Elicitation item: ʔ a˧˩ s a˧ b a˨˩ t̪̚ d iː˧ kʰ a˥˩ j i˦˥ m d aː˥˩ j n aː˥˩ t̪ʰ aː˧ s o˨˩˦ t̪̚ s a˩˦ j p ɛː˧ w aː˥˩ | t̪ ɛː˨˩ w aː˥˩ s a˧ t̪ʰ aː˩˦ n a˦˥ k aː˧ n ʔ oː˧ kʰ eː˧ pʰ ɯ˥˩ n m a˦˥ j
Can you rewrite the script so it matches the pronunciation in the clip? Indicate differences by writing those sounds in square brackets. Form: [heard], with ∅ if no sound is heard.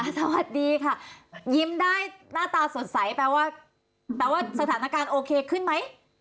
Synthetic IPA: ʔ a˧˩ s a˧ [w] a˨˩ t̪̚ d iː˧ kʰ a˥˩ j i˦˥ m d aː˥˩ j n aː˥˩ [t̪] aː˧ s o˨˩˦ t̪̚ s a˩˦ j p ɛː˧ w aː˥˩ | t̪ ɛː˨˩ w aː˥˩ s a˧ t̪ʰ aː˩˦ n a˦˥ k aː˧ n ʔ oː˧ kʰ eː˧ [kʰ] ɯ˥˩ n m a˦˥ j